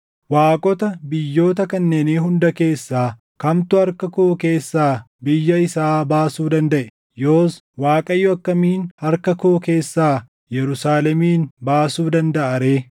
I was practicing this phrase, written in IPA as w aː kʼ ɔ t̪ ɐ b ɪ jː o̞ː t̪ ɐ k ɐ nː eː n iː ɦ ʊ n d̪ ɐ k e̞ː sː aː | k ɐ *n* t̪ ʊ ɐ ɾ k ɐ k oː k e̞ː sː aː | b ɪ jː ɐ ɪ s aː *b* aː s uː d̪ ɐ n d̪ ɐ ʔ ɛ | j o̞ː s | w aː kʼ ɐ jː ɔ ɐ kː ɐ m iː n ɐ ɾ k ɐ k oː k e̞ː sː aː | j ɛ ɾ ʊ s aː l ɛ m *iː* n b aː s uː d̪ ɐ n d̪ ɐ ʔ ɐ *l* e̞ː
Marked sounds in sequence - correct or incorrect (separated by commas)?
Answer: incorrect, correct, correct, incorrect